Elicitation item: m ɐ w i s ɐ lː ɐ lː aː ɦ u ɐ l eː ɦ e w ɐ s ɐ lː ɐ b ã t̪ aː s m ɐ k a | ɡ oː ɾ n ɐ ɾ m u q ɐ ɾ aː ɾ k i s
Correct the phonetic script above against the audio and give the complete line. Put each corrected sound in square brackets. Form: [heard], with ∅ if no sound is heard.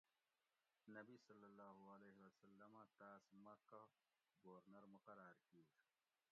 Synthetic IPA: [n] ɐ [b] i s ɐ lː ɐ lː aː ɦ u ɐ l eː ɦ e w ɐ s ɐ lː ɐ [m] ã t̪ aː s m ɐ k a | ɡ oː ɾ n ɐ ɾ m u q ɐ ɾ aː ɾ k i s